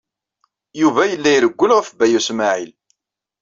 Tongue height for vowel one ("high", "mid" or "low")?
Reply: high